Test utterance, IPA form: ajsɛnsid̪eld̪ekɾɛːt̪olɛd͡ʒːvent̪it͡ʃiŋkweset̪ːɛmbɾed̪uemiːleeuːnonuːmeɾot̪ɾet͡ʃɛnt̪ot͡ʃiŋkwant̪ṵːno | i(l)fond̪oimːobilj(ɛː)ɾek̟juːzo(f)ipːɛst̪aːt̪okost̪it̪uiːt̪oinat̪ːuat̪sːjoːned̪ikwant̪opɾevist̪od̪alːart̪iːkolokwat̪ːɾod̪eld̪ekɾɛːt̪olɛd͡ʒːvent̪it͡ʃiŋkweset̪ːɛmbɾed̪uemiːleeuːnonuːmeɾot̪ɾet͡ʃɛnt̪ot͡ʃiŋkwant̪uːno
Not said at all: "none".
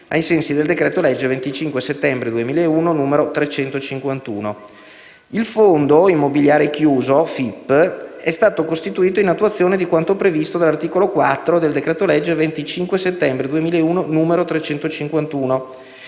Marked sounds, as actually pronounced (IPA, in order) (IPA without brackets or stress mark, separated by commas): l, aː, f